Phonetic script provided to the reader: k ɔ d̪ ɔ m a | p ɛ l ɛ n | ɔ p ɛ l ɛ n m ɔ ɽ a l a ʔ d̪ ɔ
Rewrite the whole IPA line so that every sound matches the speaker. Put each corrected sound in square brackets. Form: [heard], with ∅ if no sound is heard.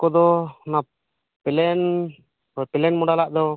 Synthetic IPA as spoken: k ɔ d̪ ɔ [n] a | p ɛ l ɛ n | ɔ p ɛ l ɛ n m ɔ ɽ a l a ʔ d̪ ɔ